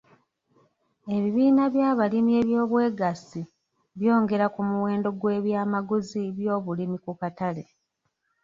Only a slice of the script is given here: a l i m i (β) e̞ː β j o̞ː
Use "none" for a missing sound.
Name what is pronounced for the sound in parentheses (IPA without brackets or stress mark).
none